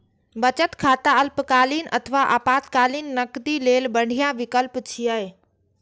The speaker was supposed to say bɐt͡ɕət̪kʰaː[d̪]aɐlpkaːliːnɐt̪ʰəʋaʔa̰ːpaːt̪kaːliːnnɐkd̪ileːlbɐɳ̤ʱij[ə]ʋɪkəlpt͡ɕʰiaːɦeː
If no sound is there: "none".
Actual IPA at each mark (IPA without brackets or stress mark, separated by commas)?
t̪, a